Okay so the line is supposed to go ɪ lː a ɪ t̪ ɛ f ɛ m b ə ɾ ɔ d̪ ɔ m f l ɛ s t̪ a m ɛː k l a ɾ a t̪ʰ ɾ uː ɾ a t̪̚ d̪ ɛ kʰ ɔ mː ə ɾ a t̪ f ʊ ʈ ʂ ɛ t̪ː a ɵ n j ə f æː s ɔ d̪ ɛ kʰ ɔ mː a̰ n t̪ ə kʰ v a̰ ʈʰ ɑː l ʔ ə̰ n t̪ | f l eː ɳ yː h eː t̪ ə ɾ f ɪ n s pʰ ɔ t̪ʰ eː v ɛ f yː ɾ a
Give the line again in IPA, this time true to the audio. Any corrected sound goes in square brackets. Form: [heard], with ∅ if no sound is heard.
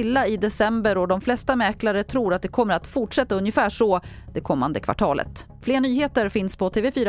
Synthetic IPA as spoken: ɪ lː a ɪ [d̪] ɛ [s] ɛ m b ə ɾ ɔ d̪ ɔ m f l ɛ s t̪ a m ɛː k l a ɾ [ə] t̪ʰ ɾ uː ɾ a t̪̚ d̪ ɛ kʰ ɔ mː ə ɾ a t̪ f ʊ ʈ ʂ ɛ t̪ː a ɵ n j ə f æː [ʂ] ɔ d̪ ɛ kʰ ɔ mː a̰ n [d̪] ə kʰ v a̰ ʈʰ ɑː l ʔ ə̰ [∅] t̪ | f l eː ɳ yː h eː t̪ ə ɾ f ɪ n s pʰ ɔ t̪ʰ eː v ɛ f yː ɾ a